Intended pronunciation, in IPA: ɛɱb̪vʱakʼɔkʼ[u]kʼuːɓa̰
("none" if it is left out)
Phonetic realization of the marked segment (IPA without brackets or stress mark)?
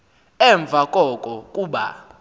ɔ